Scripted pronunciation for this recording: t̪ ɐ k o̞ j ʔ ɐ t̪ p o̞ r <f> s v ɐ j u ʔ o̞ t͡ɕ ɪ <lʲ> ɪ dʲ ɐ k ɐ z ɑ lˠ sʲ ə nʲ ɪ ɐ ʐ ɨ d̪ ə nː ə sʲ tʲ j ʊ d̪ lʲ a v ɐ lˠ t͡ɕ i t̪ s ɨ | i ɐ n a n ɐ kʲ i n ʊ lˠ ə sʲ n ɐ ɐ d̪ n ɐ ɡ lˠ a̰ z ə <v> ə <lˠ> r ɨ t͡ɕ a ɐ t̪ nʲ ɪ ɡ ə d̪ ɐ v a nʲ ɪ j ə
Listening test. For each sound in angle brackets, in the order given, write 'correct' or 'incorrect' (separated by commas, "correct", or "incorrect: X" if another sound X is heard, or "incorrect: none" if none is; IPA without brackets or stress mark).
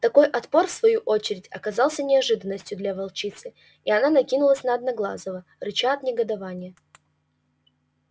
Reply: correct, incorrect: ɾʲ, correct, incorrect: none